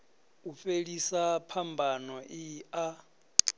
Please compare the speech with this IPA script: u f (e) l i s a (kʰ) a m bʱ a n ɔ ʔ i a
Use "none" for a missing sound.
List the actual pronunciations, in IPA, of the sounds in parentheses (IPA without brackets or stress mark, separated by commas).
e, pʰ